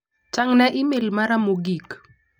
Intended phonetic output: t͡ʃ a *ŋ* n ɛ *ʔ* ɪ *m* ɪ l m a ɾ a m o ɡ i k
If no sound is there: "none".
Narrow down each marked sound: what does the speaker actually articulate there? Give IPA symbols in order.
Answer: ŋ, ʔ, m

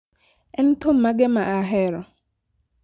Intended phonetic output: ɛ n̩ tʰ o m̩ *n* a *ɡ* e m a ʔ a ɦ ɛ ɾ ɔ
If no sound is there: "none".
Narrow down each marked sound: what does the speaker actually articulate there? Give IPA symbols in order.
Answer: m, ɡ

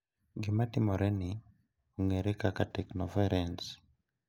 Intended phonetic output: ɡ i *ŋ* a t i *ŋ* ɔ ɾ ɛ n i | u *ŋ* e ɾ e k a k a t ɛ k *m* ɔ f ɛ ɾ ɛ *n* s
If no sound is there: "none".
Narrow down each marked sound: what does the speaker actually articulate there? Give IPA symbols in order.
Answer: m, m, ŋ, n, n

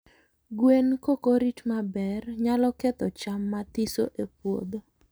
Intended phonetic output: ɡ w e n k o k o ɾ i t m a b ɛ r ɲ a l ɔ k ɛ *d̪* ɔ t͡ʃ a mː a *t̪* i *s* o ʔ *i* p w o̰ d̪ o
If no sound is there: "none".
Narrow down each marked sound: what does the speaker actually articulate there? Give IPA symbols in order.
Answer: t̪, t̪, s, e

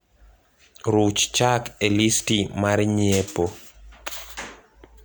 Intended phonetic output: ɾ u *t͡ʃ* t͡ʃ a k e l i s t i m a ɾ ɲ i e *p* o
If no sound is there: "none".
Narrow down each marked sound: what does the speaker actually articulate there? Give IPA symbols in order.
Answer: t͡ʃ, p

